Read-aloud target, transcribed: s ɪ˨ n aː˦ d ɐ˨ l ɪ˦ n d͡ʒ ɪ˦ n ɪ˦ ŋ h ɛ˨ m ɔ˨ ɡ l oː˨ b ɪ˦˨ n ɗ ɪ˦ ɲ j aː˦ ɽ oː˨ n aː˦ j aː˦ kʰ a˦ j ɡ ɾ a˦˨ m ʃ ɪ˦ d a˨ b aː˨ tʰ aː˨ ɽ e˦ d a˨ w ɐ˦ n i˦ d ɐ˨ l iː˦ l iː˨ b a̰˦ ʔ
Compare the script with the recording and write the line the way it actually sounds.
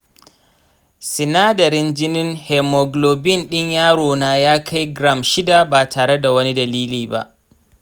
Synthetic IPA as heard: s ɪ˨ n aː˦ d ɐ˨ ɾ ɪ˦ n d͡ʒ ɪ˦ n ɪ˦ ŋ h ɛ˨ m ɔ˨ ɡ l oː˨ b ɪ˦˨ n ɗ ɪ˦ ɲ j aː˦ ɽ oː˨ n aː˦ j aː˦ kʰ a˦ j ɡ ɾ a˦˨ m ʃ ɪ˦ d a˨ b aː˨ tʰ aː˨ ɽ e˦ d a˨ w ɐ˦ n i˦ d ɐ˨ l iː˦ l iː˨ b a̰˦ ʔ